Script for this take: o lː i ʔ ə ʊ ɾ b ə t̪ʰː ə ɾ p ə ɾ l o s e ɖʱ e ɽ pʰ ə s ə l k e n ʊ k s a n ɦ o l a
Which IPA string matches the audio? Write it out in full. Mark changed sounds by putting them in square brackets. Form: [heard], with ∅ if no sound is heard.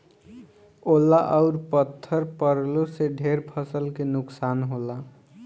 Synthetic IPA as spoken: o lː [a] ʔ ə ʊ ɾ [p] ə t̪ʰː ə ɾ p ə ɾ l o s e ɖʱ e [ɾ] pʰ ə s ə l k e n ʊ k s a n ɦ o l a